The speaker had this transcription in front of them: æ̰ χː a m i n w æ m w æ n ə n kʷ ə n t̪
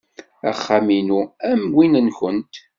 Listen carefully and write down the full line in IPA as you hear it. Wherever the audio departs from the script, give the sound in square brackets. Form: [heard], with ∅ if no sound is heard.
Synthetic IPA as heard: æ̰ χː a m i n [u] æ m w [i] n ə n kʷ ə n t̪